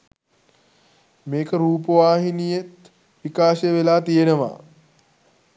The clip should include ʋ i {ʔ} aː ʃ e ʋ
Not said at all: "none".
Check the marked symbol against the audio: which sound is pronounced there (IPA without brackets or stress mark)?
k